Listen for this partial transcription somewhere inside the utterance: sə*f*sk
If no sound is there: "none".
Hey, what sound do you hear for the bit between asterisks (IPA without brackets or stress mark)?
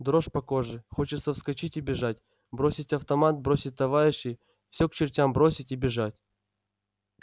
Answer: f